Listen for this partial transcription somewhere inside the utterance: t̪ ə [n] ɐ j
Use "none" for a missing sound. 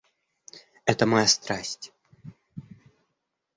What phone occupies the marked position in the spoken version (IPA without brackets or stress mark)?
m